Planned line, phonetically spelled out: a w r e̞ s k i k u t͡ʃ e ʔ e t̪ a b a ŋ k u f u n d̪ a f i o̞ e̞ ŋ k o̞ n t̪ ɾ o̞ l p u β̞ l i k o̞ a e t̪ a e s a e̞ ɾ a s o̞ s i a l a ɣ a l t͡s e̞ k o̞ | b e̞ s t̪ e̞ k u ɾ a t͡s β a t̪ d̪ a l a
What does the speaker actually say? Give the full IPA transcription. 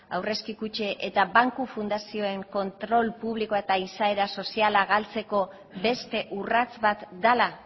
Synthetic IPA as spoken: a w r e̞ s k i k u t͡ʃ e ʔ e t̪ a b a ŋ k u f u n d̪ a s i o̞ e̞ ŋ k o̞ n t̪ ɾ o̞ l p u β̞ l i k o̞ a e t̪ a i s a e̞ ɾ a s o̞ s i a l a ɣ a l t͡s e̞ k o̞ | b e̞ s t̪ e̞ ʔ u r a t͡s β a t̪ d̪ a l a

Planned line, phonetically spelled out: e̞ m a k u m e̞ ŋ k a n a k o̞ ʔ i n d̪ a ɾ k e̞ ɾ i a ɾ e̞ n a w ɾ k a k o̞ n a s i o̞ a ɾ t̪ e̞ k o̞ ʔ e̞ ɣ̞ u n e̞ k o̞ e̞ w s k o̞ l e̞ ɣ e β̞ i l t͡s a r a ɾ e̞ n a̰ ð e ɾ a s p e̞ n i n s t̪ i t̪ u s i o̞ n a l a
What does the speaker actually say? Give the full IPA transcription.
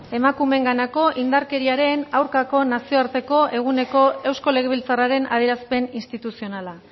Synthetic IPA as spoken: e̞ m a k u m e̞ ŋ ɡ a n a k o̞ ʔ i n d̪ a ɾ k e̞ ɾ i a ɾ e̞ n a w ɾ k a k o̞ n a s i o̞ a ɾ t̪ e̞ k o̞ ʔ e̞ ɣ̞ u n e̞ k o̞ e̞ w s k o̞ l e̞ ɣ e β̞ i l t͡s a r a ɾ e̞ n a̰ ð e ɾ a s p e̞ n i n s t̪ i t̪ u s i o̞ n a l a

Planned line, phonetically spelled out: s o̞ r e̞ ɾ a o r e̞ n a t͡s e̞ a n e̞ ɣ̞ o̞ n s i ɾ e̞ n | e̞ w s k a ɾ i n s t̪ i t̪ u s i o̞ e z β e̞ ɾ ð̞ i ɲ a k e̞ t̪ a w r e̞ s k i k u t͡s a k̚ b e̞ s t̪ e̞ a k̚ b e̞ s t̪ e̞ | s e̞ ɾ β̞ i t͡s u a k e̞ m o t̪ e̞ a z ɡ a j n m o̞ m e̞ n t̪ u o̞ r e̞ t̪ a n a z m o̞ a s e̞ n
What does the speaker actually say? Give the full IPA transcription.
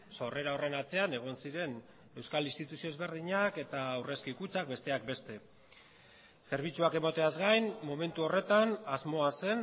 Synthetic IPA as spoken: s o̞ r e̞ ɾ a o r e̞ n a t͡s e̞ a n e̞ ɣ̞ o̞ n s i ɾ e̞ n | e̞ w s k a l i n s t̪ i t̪ u s i o̞ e z β e̞ ɾ ð̞ i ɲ a k e̞ t̪ a w r e̞ s k i k u t͡s a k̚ b e̞ s t̪ e̞ a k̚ b e̞ s t̪ e̞ | s e̞ ɾ β̞ i t͡s u a k e̞ m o t̪ e̞ a z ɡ a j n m o̞ m e̞ n t̪ u o̞ r e̞ t̪ a n a z m o̞ a s e̞ n

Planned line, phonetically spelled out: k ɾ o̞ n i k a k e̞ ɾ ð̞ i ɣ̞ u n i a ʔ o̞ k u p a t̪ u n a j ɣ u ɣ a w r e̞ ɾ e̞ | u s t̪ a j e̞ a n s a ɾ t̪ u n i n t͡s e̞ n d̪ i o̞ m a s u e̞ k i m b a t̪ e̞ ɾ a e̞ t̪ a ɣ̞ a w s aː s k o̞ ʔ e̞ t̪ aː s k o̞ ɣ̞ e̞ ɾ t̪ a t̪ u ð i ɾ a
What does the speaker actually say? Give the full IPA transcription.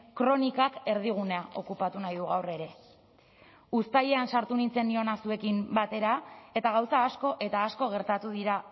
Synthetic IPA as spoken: k ɾ o̞ n i k a k e̞ ɾ ð̞ i ɣ̞ u n e a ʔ o̞ k u p a t̪ u n a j ð u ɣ a w r e̞ ɾ e̞ | u s t̪ a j e̞ a n s a ɾ t̪ u n i n t͡s e̞ n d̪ i o̞ n a s u e̞ k i m b a t̪ e̞ ɾ a e̞ t̪ a ɣ̞ a w s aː s k o̞ ʔ e̞ t̪ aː s k o̞ ɣ̞ e̞ ɾ t̪ a t̪ u ð i ɾ a

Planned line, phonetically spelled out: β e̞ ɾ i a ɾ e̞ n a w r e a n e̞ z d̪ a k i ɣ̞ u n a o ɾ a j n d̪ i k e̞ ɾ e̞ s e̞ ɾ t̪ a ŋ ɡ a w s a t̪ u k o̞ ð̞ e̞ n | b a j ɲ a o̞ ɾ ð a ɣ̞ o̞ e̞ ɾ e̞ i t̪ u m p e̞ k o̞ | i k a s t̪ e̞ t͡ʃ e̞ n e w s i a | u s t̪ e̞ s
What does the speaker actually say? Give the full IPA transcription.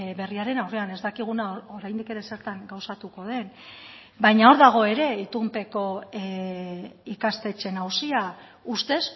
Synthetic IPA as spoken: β e̞ r i a ɾ e̞ n a w r e a n e̞ z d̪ a k i ɣ̞ u n a o ɾ a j n d̪ i k e̞ ɾ e̞ s e̞ ɾ t̪ a ŋ ɡ a w s a t̪ u k o̞ ð̞ e̞ n | b a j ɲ a o̞ ɾ ð a ɣ̞ o̞ e̞ ɾ e̞ i t̪ u m p e̞ k o̞ | i k a s t̪ e̞ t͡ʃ e̞ n a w s i a | u s t̪ e̞ s

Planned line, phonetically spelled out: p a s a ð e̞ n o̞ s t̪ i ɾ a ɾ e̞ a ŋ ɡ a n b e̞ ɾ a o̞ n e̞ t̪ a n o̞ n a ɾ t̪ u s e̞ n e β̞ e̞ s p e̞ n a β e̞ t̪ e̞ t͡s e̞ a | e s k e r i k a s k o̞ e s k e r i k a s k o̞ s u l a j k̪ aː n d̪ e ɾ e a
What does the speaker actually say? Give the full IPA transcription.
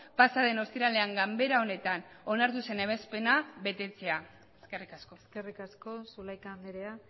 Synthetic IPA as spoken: p a s a ð e̞ n o̞ s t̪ i ɾ a l e̞ a ŋ ɡ a m b e̞ ɾ a o̞ n e̞ t̪ a n o̞ n a ɾ t̪ u s e̞ n e β̞ e̞ s p e̞ n a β e̞ t̪ e̞ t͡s e̞ a | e s k e r i k a s k o̞ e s k e r i k a s k o̞ s u l a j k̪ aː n d̪ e ɾ e a

